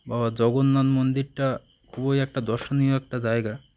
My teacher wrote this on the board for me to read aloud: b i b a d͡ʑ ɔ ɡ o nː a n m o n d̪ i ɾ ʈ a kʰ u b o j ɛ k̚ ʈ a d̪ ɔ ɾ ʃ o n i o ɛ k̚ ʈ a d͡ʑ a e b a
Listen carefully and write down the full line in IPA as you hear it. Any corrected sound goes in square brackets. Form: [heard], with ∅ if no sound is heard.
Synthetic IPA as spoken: b [a] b a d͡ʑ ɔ ɡ o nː a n m o n d̪ i ɾ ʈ a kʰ u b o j ɛ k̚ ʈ a d̪ ɔ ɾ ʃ o n i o ɛ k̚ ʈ a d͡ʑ a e [ɡ] a